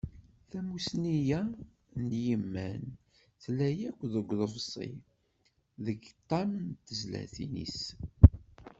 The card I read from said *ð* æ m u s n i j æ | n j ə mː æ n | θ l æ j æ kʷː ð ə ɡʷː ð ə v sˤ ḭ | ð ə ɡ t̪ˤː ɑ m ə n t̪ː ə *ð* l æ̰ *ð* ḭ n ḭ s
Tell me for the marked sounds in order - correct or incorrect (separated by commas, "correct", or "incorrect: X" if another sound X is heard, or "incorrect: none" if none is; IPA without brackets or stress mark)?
incorrect: θ, incorrect: z, incorrect: θ